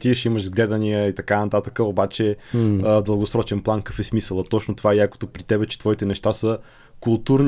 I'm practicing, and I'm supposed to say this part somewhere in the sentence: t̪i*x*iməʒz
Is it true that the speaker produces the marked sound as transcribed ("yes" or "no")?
no